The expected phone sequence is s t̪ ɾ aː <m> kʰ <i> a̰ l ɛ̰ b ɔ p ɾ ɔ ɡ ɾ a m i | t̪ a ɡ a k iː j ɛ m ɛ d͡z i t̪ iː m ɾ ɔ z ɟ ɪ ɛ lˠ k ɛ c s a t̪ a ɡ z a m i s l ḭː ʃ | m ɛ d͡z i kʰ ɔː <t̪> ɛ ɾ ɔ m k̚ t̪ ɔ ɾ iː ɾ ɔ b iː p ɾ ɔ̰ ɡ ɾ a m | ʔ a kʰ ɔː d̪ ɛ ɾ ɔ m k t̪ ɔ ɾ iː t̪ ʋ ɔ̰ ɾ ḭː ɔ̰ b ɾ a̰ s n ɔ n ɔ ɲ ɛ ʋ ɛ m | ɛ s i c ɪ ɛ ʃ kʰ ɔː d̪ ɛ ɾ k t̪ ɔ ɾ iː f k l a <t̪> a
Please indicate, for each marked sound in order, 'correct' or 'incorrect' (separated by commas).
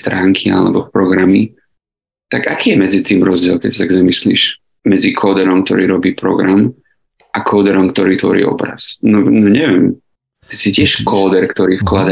incorrect, correct, incorrect, incorrect